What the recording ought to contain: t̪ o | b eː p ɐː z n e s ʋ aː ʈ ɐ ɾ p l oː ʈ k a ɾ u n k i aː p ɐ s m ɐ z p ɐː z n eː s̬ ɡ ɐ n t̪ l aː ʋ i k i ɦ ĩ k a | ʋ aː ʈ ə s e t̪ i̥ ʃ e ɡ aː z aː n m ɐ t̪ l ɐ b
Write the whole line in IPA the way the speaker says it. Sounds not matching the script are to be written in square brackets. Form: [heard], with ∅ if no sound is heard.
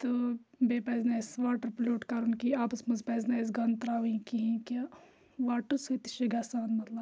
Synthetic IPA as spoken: t̪ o | b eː p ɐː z n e s ʋ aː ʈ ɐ ɾ p l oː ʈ k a ɾ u n k i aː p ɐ s m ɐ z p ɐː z n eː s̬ ɡ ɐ n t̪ [ɾ] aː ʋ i k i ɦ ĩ k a | ʋ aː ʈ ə s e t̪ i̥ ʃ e ɡ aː [s] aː n m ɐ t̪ l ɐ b